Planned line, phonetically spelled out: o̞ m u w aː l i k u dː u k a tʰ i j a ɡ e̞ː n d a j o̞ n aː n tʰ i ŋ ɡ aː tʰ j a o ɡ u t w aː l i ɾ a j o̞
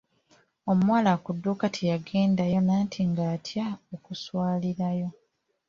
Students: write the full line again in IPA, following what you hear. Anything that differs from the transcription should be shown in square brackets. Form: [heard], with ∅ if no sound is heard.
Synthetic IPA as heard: o̞ m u w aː l [a] k u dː u k a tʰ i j a ɡ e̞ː n d a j o̞ n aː n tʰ i ŋ ɡ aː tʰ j a o [k] u [s] w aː l i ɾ a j o̞